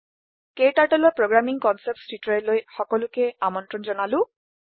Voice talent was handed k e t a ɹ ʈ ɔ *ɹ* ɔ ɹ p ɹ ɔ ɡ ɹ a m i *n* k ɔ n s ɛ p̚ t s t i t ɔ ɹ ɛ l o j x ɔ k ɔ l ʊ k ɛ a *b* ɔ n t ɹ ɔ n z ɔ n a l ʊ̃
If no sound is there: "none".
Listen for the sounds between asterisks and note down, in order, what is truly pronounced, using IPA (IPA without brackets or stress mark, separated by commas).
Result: l, ŋ, m